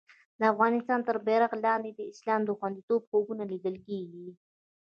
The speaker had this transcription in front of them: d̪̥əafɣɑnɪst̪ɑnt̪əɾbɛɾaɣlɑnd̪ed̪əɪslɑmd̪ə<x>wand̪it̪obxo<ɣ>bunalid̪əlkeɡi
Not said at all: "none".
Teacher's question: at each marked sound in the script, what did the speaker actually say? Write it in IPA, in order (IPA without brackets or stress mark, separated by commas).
x, none